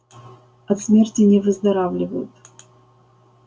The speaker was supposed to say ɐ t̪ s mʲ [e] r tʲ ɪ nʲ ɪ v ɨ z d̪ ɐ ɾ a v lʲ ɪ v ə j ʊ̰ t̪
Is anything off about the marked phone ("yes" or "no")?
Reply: no